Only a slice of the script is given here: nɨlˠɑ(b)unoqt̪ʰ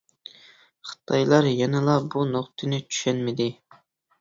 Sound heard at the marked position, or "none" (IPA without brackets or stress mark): b